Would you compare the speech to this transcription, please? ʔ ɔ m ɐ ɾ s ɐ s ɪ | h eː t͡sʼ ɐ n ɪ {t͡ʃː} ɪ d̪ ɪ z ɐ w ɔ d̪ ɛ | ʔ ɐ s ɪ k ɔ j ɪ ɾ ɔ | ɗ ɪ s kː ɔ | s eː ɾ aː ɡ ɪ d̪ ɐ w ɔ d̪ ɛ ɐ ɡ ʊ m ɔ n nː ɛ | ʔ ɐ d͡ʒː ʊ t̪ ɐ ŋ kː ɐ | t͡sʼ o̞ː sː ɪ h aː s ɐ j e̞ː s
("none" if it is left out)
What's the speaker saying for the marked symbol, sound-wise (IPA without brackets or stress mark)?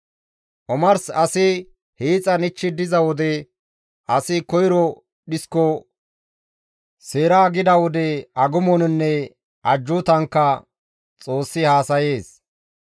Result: t͡ʃː